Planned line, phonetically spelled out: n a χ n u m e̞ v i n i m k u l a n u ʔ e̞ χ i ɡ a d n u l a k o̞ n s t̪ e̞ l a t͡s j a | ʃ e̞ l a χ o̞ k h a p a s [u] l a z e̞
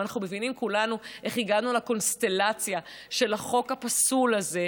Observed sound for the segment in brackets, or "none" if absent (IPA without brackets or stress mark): u